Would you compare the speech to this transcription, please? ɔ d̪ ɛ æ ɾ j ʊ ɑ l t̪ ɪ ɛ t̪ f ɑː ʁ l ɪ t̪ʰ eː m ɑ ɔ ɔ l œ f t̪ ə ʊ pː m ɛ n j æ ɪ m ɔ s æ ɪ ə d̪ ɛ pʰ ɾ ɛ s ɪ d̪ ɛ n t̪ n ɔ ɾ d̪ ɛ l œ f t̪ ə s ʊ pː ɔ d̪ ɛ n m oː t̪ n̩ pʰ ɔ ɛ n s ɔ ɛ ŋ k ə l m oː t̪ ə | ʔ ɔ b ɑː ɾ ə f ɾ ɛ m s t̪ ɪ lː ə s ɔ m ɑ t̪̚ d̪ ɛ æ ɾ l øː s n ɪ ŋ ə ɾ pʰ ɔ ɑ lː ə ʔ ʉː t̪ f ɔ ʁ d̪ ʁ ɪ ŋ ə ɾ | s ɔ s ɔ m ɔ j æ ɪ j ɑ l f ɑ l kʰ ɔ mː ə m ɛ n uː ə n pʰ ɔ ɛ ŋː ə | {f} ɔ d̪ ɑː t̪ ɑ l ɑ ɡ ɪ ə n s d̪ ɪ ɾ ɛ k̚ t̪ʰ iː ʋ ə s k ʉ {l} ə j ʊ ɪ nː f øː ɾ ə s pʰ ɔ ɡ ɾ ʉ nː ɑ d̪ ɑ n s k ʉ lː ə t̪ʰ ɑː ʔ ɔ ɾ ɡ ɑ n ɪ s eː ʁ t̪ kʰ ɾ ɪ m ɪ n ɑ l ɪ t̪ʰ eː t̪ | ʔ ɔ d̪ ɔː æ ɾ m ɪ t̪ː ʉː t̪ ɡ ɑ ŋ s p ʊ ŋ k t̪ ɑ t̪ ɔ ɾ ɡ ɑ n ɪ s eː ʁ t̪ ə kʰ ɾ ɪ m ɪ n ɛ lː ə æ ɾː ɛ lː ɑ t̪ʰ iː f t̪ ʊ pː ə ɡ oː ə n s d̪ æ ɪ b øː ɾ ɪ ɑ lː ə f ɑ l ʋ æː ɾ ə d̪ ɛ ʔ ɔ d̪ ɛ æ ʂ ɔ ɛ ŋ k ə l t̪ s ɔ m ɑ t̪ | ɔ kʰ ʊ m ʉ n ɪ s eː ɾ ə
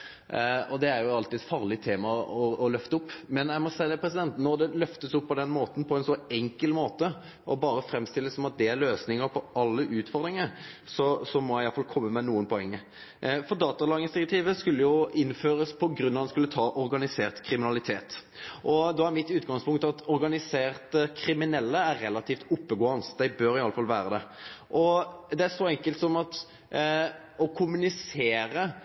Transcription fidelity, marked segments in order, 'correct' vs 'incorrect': correct, incorrect: lː

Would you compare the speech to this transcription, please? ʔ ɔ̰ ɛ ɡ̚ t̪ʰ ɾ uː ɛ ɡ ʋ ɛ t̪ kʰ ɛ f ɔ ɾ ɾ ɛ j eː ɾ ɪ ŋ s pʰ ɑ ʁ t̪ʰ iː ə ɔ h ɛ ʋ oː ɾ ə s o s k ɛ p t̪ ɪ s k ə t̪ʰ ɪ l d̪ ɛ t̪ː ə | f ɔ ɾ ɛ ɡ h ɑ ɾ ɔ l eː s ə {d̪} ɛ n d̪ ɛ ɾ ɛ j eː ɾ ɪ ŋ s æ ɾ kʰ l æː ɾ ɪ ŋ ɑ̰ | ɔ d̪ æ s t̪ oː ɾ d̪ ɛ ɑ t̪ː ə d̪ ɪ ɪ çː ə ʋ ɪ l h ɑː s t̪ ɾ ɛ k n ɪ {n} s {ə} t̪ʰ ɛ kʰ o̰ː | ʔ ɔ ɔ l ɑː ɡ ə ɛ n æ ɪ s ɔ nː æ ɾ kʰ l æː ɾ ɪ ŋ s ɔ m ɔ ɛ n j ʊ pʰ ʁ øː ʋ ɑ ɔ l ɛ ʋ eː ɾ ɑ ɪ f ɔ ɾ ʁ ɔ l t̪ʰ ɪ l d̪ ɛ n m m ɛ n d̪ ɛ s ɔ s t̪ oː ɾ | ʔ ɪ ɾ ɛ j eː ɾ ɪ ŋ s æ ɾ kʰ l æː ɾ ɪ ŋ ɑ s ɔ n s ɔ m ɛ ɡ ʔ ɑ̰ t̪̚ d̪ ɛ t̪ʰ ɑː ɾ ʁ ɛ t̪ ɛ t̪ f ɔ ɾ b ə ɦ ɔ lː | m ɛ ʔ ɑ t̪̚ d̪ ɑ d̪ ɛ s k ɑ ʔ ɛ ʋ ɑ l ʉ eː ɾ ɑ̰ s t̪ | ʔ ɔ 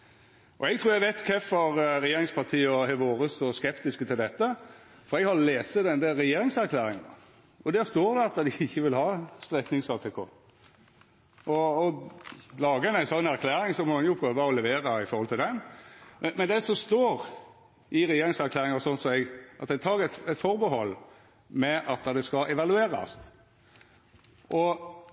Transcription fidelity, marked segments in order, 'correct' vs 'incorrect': correct, incorrect: ŋ, incorrect: ɑ

